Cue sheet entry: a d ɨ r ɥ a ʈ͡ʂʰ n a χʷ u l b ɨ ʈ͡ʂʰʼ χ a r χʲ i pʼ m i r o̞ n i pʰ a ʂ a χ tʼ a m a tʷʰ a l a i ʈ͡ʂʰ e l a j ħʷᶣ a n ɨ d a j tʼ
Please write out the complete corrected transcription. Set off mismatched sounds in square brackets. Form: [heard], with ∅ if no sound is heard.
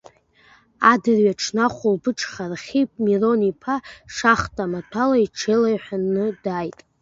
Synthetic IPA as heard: a d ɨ r ɥ a ʈ͡ʂʰ n a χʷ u l b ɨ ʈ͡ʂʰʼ χ a r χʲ i pʼ m i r o̞ n i pʰ a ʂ a χ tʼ a m a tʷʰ a l a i ʈ͡ʂʰ e l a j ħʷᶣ a n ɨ d a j tʼ